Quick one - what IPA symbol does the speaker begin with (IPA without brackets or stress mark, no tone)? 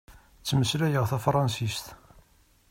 t͡sː